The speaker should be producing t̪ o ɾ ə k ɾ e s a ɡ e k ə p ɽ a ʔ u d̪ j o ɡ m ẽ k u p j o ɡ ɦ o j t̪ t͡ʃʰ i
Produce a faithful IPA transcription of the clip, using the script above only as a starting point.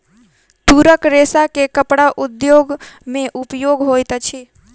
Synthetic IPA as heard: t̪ u ɾ ə k ɾ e s a k e k ə p ɽ a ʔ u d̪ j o ɡ m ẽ ʔ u p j o ɡ ɦ o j t̪ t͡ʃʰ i

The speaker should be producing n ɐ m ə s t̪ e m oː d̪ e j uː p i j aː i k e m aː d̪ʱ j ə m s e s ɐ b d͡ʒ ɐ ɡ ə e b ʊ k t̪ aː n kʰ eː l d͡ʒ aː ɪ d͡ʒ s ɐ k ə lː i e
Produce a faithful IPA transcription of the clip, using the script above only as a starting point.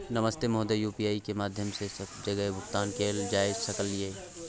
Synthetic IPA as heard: n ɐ m ə s t̪ e m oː d̪ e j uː p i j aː i k e m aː d̪ʱ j ə m s e s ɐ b d͡ʒ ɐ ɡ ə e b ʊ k t̪ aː n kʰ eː l d͡ʒ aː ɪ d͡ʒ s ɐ k ə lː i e

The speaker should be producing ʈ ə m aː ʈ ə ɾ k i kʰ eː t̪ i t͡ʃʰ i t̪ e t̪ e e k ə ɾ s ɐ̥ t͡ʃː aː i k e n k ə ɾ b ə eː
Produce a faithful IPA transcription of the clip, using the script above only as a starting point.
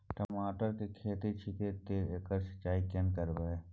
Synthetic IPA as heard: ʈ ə m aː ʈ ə ɾ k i kʰ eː t̪ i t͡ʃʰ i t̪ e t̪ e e k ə ɾ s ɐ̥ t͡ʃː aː i k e n k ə ɾ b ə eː

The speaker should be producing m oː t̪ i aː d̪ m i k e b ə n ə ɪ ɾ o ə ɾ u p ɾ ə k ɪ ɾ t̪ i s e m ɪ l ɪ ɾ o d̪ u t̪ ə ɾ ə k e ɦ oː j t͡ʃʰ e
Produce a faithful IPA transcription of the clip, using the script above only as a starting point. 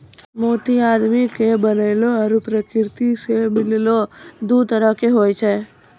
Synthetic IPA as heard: m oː t̪ i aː d̪ m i k e b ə n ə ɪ l o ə ɾ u p ɾ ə k ɪ ɾ t̪ i s e m ɪ l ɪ l o d̪ u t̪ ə ɾ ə k e ɦ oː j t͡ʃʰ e

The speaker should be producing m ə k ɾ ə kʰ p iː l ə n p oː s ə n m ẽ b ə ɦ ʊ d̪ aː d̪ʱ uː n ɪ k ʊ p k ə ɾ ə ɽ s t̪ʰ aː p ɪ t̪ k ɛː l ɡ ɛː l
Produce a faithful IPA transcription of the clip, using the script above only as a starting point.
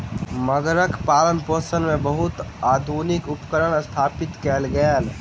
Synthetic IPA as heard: m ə ɡ ɾ ə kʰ p aː l ə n p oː s ə n m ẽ b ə ɦ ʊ t̪ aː d̪ʱ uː n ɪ k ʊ p k ə ɾ ə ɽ s t̪ʰ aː p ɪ t̪ k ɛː l ɡ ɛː l

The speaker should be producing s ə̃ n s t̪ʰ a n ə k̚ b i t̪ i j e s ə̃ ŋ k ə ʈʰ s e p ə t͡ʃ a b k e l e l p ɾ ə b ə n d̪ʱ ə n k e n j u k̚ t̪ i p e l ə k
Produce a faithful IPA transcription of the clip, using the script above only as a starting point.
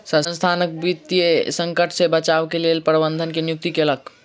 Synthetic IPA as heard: s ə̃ n s t̪ʰ a n ə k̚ b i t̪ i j e s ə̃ ŋ k ə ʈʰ s e b ə t͡ʃ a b k e l e l p ɾ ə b ə n d̪ʱ ə n k e n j u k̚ t̪ i k e l ə k

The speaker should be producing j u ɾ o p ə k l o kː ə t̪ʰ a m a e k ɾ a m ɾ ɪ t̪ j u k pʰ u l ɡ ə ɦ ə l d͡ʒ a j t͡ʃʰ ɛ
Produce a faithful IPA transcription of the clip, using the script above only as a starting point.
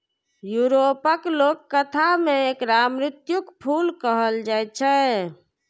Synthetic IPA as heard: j u ɾ o p ə k l o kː ə t̪ʰ a m e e k ɾ a m ɾ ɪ t̪ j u k pʰ u l k ə ɦ ə l d͡ʒ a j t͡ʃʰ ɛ

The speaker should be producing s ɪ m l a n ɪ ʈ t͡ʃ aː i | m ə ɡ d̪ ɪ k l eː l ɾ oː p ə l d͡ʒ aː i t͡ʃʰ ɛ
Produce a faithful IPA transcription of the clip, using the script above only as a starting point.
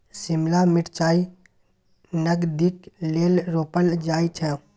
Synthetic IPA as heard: s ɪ m l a m ɪ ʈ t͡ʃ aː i | n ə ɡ d̪ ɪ k l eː l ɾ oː p ə l d͡ʒ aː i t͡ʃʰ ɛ

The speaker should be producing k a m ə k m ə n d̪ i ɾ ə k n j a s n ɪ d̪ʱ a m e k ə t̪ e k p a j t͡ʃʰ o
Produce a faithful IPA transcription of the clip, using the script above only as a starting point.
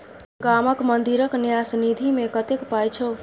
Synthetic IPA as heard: ɡ a m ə k m ə n d̪ i ɾ ə k n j a s n i d̪ʱ i m e k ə t̪ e k p a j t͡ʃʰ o

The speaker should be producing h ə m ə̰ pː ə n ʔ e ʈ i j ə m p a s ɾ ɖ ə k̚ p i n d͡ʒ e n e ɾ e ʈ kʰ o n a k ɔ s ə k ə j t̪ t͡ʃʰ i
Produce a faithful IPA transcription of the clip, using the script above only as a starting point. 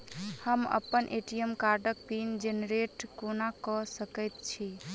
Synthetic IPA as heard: h ə m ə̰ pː ə n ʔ e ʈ i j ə m k a ɾ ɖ ə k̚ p i n d͡ʒ e n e ɾ e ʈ k o n a k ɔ s ə k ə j t̪ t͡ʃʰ i

